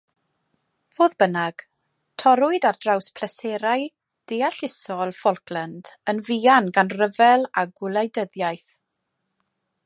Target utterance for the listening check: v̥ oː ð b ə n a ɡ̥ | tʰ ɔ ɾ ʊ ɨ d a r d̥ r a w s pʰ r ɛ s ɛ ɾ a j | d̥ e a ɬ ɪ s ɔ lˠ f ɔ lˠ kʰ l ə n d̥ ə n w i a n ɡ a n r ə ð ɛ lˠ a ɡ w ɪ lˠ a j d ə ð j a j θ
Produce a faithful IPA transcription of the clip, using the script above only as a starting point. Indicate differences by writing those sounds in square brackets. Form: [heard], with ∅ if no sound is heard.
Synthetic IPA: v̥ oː ð b ə n a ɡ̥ | tʰ ɔ ɾ ʊ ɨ d a r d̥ r a w s pʰ [l] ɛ s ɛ ɾ a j | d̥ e a ɬ ɪ s ɔ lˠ f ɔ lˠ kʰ l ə n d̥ ə n [v] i a n ɡ a n r ə [v] ɛ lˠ a ɡ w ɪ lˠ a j d ə ð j a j θ